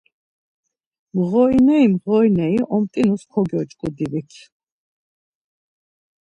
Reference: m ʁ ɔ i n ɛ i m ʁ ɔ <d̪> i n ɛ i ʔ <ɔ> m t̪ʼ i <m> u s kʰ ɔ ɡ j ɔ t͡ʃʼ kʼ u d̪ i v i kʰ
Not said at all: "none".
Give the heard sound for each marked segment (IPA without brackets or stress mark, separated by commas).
none, ɔ, n